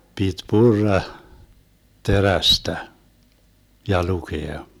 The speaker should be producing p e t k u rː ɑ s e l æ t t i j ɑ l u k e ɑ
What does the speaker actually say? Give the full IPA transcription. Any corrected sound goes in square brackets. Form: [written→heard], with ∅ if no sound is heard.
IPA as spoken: p [e→i] t [k→p] u rː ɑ [s→t] e [l→r] æ [t→s] t [i→æ] j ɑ l u k e ɑ